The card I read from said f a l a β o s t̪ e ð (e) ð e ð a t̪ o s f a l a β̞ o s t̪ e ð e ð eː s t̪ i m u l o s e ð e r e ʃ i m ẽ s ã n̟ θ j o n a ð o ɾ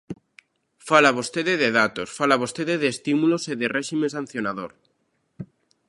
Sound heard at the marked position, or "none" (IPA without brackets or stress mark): e